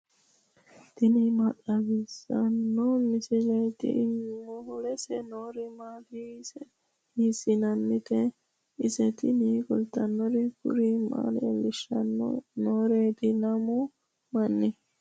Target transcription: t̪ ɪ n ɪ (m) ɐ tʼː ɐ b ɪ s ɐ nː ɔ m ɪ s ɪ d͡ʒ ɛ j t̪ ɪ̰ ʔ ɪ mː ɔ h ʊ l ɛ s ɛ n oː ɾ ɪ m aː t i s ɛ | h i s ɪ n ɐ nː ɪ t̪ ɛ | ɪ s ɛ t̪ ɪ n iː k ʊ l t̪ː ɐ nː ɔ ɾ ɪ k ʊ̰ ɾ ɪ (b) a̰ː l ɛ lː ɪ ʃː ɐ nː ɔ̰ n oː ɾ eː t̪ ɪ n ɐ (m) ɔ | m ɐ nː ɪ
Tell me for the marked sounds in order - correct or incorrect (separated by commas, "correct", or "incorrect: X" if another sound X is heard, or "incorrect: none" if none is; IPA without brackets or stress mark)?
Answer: correct, incorrect: m, correct